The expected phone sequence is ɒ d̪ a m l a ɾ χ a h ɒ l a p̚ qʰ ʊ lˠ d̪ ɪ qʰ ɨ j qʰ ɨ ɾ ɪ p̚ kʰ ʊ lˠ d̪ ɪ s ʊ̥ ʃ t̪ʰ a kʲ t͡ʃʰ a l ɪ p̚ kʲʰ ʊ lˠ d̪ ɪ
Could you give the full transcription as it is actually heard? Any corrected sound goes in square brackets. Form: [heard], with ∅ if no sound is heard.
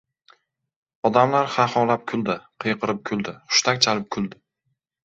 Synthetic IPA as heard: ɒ d̪ a m l a ɾ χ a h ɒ l a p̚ [kʰ] ʊ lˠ d̪ ɪ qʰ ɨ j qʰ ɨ ɾ ɪ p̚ kʰ ʊ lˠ d̪ ɪ [χ] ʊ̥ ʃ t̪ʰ a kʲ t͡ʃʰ a l ɪ p̚ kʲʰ ʊ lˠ d̪ ɪ